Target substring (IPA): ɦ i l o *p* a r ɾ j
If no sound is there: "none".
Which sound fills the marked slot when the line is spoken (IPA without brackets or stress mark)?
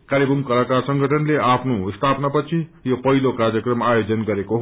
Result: k